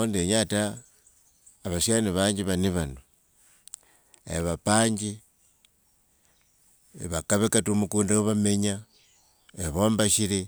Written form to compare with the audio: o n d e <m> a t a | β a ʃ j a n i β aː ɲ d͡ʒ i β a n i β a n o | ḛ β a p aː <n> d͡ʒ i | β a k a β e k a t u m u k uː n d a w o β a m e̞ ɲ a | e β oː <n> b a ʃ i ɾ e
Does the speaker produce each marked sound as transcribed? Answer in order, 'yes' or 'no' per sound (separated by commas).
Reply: no, no, no